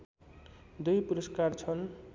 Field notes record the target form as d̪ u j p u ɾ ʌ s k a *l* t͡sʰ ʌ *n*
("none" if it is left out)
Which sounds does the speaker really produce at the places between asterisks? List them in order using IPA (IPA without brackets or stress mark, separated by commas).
r, n